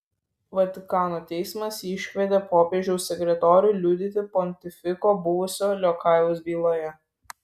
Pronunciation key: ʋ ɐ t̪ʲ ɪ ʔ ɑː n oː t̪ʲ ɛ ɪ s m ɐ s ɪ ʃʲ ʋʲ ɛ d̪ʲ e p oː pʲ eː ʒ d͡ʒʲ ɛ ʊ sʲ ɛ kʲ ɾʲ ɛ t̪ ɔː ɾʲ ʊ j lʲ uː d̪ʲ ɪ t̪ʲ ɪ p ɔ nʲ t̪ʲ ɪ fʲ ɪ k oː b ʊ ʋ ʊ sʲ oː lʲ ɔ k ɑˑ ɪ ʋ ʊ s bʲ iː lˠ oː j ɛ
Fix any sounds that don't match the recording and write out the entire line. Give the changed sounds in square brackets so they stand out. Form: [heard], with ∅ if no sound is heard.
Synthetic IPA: ʋ ɐ t̪ʲ ɪ [k] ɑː n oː t̪ʲ ɛ ɪ s m ɐ s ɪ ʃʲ ʋʲ ɛ d̪ʲ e p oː pʲ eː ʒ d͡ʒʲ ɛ ʊ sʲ ɛ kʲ ɾʲ ɛ t̪ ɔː ɾʲ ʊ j lʲ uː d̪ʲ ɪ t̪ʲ ɪ p ɔ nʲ t̪ʲ ɪ fʲ ɪ k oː b ʊ ʋ ʊ sʲ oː lʲ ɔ k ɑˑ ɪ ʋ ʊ s bʲ iː lˠ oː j ɛ